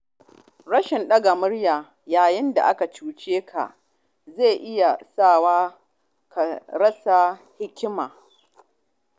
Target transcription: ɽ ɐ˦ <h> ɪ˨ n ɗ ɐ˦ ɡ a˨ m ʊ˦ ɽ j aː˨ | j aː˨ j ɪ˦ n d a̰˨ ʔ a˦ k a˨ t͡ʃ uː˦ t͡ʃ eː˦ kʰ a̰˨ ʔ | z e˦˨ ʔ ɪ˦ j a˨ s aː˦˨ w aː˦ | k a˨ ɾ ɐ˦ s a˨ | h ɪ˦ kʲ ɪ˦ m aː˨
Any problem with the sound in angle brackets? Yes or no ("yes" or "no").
yes